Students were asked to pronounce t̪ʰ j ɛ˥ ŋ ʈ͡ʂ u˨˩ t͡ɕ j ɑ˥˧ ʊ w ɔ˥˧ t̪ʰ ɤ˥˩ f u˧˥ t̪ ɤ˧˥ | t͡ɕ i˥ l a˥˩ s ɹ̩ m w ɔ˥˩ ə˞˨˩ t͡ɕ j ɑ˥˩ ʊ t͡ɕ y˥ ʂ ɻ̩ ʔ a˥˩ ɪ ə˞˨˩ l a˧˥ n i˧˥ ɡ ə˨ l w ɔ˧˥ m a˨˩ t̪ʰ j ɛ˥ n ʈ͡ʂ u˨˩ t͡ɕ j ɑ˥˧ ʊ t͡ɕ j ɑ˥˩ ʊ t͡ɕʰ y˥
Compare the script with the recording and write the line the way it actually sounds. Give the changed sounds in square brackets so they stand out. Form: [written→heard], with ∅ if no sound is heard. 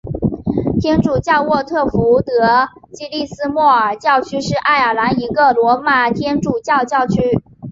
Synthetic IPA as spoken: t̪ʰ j ɛ˥ [ŋ→n] ʈ͡ʂ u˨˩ t͡ɕ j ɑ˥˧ ʊ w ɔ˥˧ t̪ʰ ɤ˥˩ f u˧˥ t̪ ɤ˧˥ | t͡ɕ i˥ l [a˥˩→i˥˩] s ɹ̩ m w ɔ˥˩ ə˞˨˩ t͡ɕ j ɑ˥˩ ʊ [t͡ɕ→t͡ɕʰ] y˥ ʂ ɻ̩ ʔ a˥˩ ɪ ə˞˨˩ l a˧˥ n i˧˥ ɡ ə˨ l w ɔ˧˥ m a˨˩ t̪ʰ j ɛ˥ n ʈ͡ʂ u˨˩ t͡ɕ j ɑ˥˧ ʊ t͡ɕ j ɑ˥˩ ʊ t͡ɕʰ y˥